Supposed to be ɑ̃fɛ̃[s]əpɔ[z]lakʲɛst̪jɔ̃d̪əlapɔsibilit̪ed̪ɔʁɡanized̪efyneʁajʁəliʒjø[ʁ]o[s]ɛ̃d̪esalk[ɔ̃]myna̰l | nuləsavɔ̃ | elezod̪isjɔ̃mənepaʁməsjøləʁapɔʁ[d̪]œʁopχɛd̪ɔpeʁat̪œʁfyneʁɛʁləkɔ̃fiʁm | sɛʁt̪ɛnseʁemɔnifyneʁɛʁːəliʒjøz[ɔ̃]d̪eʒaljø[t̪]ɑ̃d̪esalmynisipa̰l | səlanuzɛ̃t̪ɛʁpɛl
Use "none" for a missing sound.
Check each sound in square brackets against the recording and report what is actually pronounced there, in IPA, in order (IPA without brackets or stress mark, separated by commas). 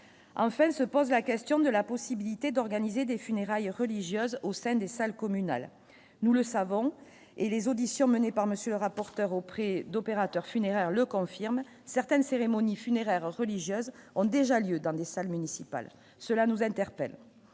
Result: s, z, z, s, ɔ, t̪, ɔ̃, d̪